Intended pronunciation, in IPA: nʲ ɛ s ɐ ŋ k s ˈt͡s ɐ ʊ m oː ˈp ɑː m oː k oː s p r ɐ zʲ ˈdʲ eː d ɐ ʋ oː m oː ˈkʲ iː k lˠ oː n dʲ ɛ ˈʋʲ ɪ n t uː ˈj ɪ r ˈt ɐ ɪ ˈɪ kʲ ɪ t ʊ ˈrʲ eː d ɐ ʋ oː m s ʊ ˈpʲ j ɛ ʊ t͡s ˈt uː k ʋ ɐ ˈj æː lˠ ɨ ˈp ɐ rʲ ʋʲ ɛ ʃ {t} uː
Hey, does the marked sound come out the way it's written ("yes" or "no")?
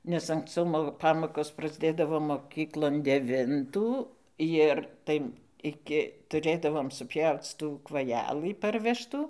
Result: yes